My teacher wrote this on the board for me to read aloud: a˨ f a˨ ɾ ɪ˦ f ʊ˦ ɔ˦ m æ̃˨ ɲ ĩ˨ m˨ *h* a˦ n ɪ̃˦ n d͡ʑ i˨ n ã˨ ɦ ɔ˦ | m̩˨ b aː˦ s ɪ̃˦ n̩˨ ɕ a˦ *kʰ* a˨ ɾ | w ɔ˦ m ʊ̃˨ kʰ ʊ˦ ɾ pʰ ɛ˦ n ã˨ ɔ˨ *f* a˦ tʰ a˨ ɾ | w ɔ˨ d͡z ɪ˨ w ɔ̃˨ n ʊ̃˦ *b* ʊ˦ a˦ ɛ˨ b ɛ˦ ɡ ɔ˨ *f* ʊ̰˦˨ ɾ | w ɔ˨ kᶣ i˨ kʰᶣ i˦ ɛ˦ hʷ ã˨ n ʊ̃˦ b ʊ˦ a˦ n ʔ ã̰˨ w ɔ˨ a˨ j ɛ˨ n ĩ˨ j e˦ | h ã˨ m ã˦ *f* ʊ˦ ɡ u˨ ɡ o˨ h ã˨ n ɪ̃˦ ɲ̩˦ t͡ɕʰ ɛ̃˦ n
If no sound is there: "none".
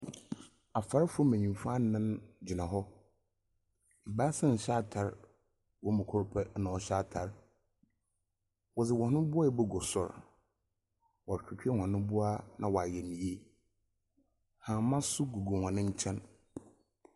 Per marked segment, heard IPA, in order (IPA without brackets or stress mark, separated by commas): f, tʰ, ɕ, b, s, s